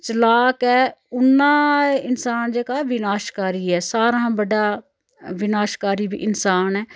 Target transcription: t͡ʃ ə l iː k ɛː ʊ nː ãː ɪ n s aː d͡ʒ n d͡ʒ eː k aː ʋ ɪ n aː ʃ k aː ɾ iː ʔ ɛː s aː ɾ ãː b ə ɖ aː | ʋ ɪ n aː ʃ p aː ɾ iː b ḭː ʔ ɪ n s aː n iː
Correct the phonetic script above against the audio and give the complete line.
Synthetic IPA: t͡ʃ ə l aː k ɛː ʊ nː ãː ɪ n s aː n d͡ʒ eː k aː ʋ ɪ n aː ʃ k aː ɾ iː ɛː s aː ɾ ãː b ə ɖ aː | ʋ ɪ n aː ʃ k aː ɾ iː b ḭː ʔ ɪ n s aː n ɛː